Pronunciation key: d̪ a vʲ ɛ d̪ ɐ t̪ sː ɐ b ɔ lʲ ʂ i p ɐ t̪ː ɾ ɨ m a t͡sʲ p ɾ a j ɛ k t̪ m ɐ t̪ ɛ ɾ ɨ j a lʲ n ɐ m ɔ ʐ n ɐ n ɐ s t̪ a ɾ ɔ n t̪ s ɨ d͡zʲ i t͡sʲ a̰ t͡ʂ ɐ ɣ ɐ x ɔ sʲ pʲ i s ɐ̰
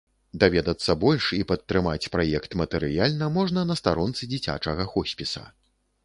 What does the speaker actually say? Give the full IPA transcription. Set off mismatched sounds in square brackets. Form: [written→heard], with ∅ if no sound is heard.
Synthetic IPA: d̪ a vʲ ɛ d̪ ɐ t̪ sː ɐ b ɔ lʲ ʂ i p ɐ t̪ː ɾ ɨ m a t͡sʲ p ɾ a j ɛ k t̪ m ɐ t̪ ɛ ɾ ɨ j a lʲ n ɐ m ɔ ʐ n ɐ n ɐ s t̪ a ɾ ɔ n t̪ s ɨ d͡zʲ i t͡sʲ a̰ t͡ʂ ɐ ɣ ɐ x ɔ sʲ pʲ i s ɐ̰